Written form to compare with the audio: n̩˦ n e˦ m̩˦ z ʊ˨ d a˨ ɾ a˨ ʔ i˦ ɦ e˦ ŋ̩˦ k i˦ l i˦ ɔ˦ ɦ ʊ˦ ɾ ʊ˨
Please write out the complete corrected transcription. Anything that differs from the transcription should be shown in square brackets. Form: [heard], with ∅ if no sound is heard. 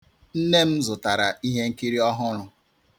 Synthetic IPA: n̩˦ n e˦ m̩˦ z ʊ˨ [t] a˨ ɾ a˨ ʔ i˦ ɦ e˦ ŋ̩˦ k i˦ [ɾ] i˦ ɔ˦ ɦ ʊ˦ ɾ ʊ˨